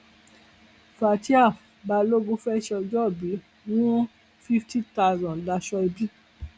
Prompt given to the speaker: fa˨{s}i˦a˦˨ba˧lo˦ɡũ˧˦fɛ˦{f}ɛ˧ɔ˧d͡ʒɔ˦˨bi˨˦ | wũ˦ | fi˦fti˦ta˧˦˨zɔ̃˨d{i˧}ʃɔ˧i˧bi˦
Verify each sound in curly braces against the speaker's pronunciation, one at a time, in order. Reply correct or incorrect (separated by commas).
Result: incorrect, incorrect, incorrect